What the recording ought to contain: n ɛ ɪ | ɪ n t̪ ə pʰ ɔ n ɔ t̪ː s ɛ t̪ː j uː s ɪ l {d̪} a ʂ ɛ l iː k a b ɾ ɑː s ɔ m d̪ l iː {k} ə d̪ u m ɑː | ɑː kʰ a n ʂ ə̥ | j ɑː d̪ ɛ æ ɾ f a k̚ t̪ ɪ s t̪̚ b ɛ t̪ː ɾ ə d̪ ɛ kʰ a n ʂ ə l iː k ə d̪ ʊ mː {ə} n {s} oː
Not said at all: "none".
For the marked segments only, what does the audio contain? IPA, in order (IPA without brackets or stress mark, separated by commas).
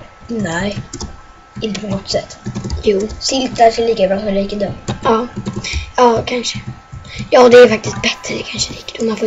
t̪, k, a, f